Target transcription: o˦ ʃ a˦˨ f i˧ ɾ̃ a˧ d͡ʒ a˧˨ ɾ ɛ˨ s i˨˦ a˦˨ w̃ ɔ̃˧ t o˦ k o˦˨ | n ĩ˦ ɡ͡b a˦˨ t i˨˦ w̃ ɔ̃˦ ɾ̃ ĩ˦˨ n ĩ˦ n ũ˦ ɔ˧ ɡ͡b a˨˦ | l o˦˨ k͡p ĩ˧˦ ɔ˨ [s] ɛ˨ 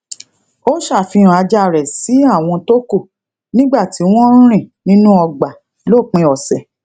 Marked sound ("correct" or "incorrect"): correct